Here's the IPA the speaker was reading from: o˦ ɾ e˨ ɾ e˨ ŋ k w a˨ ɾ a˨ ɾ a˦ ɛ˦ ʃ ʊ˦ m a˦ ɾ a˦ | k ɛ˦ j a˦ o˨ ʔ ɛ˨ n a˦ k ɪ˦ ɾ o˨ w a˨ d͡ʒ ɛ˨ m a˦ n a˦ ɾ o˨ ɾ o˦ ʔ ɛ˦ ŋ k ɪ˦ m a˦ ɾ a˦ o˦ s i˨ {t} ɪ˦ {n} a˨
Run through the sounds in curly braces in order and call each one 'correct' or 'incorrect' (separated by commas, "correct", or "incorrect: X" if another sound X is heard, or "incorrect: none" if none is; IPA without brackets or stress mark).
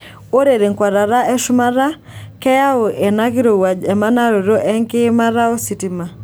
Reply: correct, incorrect: m